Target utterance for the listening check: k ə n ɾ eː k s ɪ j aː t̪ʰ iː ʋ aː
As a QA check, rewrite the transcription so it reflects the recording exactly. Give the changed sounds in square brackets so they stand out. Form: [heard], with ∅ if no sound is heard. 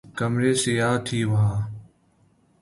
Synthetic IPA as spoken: k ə [m] ɾ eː [∅] s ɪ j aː t̪ʰ iː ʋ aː

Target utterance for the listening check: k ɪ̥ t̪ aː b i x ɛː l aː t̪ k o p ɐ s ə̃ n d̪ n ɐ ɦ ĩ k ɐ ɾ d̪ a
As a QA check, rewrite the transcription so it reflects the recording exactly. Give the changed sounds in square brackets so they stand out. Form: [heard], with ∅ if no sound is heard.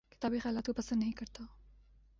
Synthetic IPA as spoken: k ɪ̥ t̪ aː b i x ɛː l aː t̪ k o p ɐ s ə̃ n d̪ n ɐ ɦ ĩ k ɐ ɾ [t̪] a

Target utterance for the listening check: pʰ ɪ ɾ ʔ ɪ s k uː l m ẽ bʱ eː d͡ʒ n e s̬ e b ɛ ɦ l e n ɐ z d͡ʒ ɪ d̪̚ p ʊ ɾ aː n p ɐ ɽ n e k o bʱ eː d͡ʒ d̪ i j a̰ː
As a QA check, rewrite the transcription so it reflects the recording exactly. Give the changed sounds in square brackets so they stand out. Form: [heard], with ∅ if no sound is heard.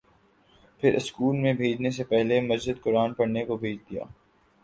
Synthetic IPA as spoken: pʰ ɪ ɾ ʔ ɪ s k uː l m ẽ bʱ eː d͡ʒ n e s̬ e [p] ɛ ɦ l e [m] ɐ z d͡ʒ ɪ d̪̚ [k] ʊ ɾ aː n p ɐ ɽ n e k o bʱ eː d͡ʒ d̪ i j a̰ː

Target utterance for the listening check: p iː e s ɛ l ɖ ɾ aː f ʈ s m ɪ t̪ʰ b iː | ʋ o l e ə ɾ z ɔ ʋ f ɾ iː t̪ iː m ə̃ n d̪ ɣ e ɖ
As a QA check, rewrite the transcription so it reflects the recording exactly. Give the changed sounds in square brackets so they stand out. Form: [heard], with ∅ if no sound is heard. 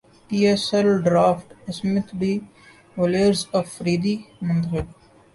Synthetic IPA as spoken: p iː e s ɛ l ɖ ɾ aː f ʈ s m ɪ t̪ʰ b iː | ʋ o l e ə ɾ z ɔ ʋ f ɾ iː [d̪] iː m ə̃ n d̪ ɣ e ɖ

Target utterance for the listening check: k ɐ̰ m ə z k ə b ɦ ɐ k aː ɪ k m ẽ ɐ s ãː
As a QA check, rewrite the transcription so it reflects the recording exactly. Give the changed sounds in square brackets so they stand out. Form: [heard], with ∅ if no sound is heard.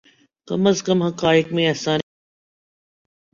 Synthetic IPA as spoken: k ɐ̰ m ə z k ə [m] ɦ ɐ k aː ɪ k m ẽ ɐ s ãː

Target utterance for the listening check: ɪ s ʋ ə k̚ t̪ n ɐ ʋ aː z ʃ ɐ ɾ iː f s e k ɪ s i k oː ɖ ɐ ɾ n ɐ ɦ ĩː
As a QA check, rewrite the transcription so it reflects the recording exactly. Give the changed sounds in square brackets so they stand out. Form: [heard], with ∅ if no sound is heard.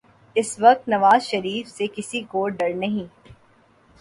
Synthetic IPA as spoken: ɪ s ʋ [ɐ] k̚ t̪ n ɐ ʋ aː z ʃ ɐ ɾ iː f s e k ɪ s i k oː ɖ ɐ ɾ n ɐ ɦ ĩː

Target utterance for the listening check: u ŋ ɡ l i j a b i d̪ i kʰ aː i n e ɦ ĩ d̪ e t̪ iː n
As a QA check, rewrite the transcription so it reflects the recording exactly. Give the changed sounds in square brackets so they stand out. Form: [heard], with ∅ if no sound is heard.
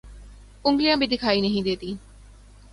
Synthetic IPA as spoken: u ŋ ɡ l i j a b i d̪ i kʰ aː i n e ɦ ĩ d̪ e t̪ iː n

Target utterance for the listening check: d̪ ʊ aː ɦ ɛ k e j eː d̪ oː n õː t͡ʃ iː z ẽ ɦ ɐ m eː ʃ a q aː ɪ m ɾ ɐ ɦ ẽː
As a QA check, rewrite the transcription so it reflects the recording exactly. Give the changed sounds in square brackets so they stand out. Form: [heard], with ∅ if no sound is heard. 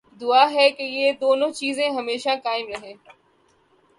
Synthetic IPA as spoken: d̪ ʊ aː ɦ ɛ k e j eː d̪ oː n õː t͡ʃ iː z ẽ ɦ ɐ m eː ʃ a [k] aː ɪ m ɾ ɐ ɦ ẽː

